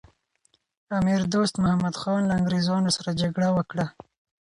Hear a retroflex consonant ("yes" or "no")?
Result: yes